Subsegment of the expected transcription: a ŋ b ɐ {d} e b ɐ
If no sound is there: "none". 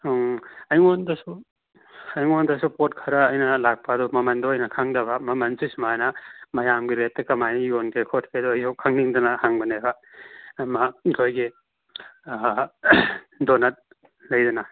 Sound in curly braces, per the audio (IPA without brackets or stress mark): n